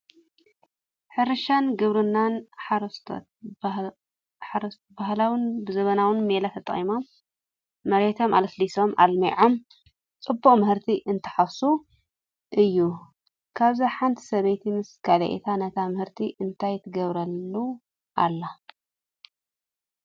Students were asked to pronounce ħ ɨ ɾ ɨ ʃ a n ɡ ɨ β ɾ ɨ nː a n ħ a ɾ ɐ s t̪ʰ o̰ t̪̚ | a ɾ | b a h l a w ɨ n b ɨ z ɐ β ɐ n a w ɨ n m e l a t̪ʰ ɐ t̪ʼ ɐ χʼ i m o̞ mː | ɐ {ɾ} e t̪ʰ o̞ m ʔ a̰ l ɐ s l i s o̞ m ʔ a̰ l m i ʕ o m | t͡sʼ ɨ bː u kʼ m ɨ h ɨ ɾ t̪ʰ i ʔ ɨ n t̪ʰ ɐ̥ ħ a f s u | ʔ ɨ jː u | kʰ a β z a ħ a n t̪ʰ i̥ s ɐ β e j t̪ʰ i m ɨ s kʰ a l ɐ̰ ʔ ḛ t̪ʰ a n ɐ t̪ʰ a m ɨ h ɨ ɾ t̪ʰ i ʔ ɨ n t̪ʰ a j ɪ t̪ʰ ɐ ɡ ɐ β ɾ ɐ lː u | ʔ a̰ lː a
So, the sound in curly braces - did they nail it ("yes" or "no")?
yes